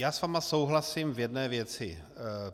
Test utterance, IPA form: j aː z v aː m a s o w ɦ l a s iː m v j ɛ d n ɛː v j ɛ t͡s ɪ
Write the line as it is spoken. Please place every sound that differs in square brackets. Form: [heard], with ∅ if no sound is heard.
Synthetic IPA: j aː [s] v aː m a s o w ɦ l a s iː m v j ɛ d n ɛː v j ɛ t͡s ɪ